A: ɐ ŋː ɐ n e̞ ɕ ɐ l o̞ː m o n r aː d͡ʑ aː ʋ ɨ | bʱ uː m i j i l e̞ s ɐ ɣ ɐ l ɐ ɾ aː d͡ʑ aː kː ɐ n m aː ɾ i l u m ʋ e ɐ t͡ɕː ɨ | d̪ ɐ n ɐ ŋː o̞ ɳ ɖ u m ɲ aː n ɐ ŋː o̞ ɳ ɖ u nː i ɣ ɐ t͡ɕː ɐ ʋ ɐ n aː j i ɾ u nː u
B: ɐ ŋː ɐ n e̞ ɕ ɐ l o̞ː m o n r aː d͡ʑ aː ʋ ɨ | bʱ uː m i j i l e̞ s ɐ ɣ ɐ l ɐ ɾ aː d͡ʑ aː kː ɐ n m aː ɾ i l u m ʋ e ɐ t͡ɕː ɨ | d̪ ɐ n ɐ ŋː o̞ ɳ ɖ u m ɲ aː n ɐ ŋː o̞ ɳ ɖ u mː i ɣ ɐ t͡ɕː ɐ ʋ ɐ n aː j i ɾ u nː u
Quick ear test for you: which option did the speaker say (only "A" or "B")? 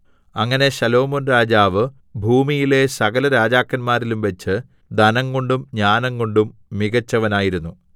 B